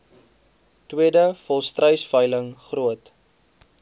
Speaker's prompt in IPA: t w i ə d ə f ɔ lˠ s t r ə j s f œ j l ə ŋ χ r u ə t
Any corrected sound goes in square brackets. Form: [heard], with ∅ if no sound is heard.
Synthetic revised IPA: t w i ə d ə f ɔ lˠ s t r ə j s f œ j l ə ŋ χ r u ə t

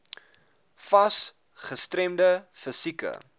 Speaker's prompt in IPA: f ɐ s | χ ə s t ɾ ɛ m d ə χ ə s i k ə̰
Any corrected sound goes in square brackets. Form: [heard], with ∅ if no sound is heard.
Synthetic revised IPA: f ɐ s | χ ə s t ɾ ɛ m d ə [f] ə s i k ə̰

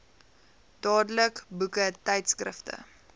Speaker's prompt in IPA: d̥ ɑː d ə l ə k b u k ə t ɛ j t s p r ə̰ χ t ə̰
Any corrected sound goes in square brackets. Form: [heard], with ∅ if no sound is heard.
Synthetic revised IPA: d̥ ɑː d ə l ə k b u k ə t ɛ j t s [k] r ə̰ [f] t ə̰

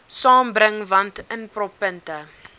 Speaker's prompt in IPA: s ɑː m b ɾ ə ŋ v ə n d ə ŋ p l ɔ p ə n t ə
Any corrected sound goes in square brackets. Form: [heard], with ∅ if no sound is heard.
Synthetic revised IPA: s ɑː m b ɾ ə ŋ v [ɐ] n [t] ə [n] p [r] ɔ p ə n t ə

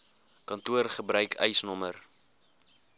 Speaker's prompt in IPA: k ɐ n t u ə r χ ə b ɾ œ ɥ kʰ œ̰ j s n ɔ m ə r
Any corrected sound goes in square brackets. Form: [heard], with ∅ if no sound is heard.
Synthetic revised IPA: k ɐ n t u ə r χ ə b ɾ œ ɥ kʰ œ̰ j s n ɔ m ə r

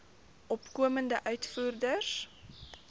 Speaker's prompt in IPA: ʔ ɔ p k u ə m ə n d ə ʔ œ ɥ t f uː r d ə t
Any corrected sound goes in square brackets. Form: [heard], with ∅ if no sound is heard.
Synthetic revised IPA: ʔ ɔ p k u ə m ə n d ə ʔ œ ɥ t f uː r d ə [s]

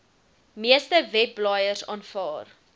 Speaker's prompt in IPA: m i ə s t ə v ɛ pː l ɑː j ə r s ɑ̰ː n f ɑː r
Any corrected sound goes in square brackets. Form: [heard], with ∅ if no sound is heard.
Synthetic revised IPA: m i ə s t ə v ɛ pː l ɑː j ə r s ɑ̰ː n f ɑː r

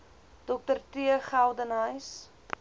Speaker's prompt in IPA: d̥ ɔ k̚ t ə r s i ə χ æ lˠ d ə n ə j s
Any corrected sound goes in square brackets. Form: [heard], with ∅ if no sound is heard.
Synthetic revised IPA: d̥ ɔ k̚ t ə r [t] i ə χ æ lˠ d ə n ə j s

